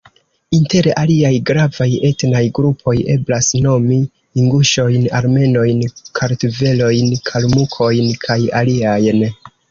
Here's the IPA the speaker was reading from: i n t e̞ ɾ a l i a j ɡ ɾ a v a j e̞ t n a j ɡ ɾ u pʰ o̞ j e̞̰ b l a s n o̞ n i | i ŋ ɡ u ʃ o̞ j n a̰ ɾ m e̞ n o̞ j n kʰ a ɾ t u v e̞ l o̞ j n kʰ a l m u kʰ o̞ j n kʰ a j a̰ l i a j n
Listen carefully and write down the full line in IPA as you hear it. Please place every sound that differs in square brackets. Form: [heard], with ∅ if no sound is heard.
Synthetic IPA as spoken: i n t e̞ ɾ a l i a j ɡ ɾ a v a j e̞ t n a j ɡ ɾ u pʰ o̞ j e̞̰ b l a s n o̞ [m] i | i ŋ ɡ u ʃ o̞ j n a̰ ɾ m e̞ n o̞ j n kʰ a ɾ t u v e̞ l o̞ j n kʰ a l m u kʰ o̞ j n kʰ a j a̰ l i a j n